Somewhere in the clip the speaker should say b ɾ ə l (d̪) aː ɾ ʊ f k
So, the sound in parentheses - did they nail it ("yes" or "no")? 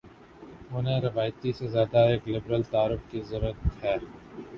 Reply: no